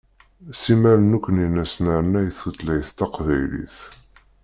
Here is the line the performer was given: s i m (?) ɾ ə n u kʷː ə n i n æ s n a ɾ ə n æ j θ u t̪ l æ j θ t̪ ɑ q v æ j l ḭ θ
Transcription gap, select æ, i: æ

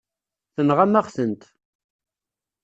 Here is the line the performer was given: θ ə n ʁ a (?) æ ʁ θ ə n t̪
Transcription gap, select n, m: m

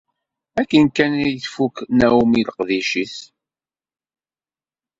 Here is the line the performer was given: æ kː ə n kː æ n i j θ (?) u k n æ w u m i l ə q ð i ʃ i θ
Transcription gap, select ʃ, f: f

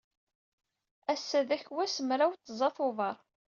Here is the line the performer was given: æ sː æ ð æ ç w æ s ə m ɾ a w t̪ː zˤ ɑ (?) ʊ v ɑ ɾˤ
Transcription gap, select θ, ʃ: θ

